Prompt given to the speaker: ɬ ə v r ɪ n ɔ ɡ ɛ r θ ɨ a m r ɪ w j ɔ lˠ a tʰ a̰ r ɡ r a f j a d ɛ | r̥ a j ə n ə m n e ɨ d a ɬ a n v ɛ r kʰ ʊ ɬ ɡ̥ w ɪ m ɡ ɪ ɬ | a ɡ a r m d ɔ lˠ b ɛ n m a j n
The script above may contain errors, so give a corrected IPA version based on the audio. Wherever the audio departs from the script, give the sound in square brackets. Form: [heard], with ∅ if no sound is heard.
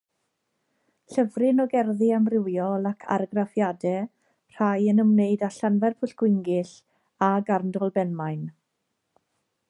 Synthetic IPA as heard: ɬ ə v r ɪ n ɔ ɡ ɛ r [ð] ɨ a m r ɪ w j ɔ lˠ a [kʰ] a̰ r ɡ r a f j a d ɛ | r̥ a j ə n ə m n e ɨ d a ɬ a n v ɛ r [pʰ] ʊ ɬ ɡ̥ w ɪ [ŋ] ɡ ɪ ɬ | a ɡ a r [n] d ɔ lˠ b ɛ n m a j n